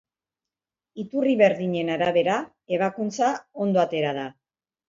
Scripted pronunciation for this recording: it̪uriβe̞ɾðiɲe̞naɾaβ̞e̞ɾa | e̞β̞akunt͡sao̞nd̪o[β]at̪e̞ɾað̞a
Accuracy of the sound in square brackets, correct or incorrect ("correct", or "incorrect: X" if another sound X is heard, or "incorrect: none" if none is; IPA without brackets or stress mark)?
incorrect: none